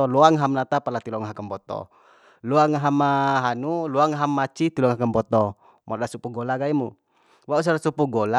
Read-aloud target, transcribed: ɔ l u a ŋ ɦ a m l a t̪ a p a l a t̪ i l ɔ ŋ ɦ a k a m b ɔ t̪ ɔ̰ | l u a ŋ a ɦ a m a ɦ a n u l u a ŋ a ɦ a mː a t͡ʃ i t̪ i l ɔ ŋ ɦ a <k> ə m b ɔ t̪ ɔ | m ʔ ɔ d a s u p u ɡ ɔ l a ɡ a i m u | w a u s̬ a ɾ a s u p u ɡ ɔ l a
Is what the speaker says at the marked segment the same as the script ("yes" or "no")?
yes